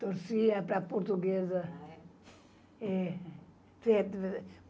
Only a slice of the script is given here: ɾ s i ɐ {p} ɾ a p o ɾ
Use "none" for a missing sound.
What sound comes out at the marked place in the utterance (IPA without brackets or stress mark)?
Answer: p